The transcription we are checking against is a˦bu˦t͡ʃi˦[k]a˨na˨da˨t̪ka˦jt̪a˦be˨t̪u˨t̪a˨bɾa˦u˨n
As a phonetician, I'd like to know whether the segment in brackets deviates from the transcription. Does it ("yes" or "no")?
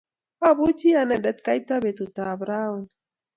yes